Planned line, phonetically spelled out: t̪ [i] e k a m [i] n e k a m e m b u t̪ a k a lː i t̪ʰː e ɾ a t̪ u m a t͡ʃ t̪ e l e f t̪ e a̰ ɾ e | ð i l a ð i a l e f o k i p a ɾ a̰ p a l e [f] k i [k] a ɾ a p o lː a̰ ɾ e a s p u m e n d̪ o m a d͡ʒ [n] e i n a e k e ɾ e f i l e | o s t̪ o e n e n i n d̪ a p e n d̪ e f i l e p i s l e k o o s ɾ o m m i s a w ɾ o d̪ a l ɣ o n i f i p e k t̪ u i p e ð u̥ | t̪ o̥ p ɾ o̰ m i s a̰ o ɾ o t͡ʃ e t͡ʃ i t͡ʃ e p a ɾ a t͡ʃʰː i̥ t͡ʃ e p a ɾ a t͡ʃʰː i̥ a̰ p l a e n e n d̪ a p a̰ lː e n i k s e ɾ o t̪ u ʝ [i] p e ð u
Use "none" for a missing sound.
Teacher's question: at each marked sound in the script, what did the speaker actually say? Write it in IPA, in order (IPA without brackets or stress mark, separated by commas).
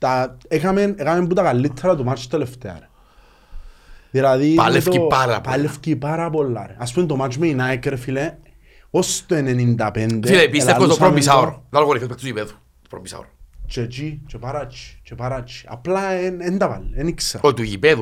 a, e, f, p, m, i